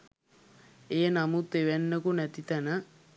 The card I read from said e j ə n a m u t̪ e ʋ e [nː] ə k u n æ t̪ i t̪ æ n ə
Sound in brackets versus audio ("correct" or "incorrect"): correct